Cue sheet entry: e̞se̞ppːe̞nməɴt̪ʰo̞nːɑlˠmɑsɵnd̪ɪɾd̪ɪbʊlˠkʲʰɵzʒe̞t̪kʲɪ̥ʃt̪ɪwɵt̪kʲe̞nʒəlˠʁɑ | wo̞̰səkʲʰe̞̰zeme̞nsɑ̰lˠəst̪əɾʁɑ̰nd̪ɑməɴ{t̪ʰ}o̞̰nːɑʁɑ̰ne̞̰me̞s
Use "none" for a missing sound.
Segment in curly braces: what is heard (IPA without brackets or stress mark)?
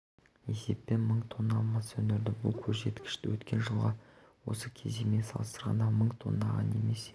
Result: t̪ʰ